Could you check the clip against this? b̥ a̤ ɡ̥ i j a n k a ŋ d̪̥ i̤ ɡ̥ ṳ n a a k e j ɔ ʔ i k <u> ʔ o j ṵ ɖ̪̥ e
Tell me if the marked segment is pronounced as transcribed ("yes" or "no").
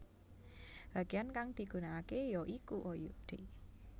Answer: yes